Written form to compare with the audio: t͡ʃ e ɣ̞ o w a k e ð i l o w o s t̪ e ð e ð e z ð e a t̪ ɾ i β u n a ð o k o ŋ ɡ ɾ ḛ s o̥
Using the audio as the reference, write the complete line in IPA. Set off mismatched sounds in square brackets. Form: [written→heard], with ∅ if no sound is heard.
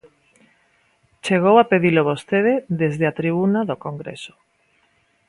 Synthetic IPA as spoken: t͡ʃ e ɣ̞ o w a [k→p] e ð i l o [w→β] o s t̪ e ð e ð e z ð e a t̪ ɾ i β u n a ð o k o ŋ ɡ ɾ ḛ s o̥